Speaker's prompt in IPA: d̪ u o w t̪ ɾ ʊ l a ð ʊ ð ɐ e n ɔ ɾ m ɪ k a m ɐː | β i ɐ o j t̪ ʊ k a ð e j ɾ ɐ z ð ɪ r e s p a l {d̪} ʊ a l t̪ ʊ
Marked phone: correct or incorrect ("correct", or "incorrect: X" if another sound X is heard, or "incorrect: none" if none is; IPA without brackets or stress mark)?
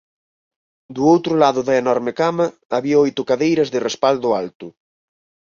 correct